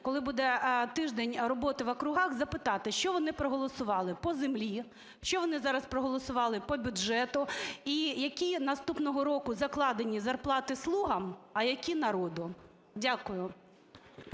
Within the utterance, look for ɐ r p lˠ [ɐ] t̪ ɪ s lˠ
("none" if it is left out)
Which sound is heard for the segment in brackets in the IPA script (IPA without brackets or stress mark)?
ɑ